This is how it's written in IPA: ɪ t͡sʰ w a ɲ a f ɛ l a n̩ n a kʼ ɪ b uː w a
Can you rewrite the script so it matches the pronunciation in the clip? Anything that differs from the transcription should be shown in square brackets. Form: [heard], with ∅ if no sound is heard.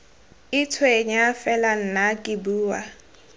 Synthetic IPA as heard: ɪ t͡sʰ w [e] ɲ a f ɛ l a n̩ n a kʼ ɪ b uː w a

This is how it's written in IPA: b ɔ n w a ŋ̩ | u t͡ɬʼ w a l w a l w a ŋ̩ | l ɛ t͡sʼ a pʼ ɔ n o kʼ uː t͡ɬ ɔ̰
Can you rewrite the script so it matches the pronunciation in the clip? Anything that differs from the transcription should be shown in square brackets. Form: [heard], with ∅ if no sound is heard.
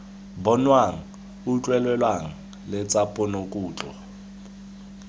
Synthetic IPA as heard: b ɔ n w a ŋ̩ | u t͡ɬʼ w [ɛ] l w [ɛ] l w a ŋ̩ | l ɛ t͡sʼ a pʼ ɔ n o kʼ uː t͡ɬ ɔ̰

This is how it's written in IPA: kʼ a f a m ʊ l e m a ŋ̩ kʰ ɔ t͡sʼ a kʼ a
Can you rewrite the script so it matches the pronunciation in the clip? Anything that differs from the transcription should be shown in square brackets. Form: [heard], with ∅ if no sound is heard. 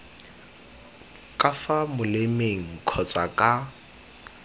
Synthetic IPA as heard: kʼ a f a m ʊ l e m [e] ŋ̩ kʰ ɔ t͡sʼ a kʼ a

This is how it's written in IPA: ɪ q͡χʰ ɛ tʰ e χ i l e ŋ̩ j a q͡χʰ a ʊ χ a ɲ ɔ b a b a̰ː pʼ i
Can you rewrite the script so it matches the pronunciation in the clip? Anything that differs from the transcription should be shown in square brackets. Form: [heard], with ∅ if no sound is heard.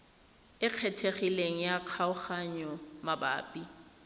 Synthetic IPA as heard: ɪ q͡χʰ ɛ tʰ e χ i l e ŋ̩ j a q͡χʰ a ʊ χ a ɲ ɔ [m] a b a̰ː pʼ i

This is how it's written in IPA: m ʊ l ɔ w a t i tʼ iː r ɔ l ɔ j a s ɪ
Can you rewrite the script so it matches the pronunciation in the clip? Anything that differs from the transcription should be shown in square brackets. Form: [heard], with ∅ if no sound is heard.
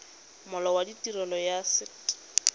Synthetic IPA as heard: m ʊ l ɔ w a [d] i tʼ [i] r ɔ l ɔ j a s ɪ

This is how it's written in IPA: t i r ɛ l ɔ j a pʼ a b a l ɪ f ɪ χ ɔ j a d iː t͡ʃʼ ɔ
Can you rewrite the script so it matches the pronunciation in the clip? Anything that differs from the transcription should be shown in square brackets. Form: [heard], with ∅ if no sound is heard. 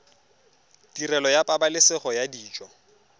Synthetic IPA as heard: t i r ɛ l ɔ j a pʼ a b a l ɪ [s] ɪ χ ɔ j a d iː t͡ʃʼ ɔ

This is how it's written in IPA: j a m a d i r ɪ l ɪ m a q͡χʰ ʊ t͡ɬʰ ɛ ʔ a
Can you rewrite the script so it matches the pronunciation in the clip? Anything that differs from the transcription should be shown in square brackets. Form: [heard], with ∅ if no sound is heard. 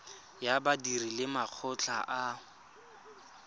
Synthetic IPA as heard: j a [b] a d i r [i] l ɪ m a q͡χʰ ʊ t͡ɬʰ [a] ʔ a

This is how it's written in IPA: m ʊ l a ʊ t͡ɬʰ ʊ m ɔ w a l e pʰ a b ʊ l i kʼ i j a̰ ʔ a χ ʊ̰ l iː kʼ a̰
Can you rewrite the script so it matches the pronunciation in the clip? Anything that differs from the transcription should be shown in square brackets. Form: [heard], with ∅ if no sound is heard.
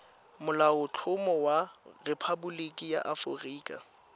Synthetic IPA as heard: m ʊ l a ʊ t͡ɬʰ ʊ m ɔ w a [r] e pʰ a b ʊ l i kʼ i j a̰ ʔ a [f] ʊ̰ [r] iː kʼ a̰

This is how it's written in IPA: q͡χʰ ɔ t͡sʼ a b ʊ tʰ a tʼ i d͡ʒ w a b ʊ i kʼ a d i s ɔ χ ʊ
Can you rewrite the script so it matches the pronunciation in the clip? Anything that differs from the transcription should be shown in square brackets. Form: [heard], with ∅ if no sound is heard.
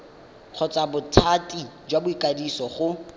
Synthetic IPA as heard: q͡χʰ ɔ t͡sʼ a b ʊ tʰ a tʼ i d͡ʒ w a b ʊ i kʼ a d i s ɔ χ ʊ

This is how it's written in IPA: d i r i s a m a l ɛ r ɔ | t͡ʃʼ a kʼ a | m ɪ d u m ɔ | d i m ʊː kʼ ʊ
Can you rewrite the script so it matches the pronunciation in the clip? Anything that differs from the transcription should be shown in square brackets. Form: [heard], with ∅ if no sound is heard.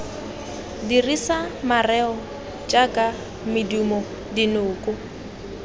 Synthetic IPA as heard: d i r i s a m a [r] ɛ [∅] ɔ | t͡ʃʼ a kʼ a | m ɪ d u m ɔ | d i [n] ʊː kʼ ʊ

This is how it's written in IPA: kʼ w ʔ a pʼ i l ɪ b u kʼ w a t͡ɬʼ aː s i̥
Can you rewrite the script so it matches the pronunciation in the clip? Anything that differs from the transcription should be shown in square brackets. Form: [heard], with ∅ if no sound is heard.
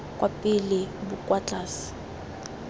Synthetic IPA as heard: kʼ w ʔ a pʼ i l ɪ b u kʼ w a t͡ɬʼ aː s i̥

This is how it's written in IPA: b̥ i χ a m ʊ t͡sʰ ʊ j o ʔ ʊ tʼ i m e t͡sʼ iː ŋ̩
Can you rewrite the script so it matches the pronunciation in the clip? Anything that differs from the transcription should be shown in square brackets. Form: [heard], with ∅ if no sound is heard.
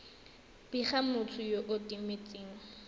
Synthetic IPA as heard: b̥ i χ a m ʊ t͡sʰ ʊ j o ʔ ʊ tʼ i m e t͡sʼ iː ŋ̩

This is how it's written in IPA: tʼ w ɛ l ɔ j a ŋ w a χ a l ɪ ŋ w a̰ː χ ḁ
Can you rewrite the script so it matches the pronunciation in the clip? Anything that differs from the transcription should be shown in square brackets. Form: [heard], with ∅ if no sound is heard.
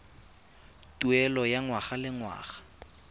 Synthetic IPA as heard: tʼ [u] ɛ l ɔ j a ŋ w a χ a l ɪ ŋ w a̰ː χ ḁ

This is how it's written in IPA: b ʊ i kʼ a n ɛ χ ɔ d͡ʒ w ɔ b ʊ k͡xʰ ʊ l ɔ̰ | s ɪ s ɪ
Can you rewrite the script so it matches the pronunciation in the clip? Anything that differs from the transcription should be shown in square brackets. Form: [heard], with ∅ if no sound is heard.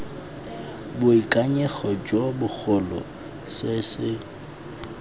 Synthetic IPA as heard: b ʊ i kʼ a [ɲ] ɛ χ ɔ d͡ʒ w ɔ b ʊ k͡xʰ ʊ l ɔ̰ | s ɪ s ɪ

